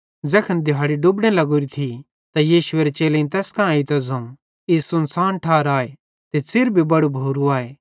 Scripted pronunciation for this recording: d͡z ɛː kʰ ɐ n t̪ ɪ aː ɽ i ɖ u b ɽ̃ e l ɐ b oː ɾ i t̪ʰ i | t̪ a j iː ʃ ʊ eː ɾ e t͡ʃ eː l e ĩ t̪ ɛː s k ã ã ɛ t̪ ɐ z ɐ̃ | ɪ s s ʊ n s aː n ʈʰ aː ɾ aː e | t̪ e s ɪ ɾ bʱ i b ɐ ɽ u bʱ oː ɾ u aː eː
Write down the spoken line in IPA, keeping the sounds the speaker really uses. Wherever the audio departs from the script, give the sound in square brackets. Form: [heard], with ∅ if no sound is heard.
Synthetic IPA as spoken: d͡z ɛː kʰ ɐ n [d̪] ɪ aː ɽ i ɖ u b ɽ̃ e l ɐ [ɡ] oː ɾ i t̪ʰ i | t̪ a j iː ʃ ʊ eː ɾ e t͡ʃ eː l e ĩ t̪ ɛː s k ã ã [i] t̪ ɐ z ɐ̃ | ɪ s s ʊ n s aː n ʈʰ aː ɾ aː e | t̪ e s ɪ ɾ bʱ i b ɐ ɽ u bʱ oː ɾ u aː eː